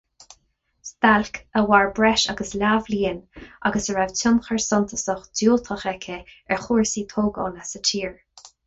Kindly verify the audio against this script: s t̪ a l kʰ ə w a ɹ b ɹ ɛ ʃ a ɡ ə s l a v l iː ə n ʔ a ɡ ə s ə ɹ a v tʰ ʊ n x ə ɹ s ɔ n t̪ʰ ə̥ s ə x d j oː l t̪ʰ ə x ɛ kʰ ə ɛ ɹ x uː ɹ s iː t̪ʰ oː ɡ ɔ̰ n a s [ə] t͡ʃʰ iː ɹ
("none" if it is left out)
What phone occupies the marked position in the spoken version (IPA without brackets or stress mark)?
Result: ə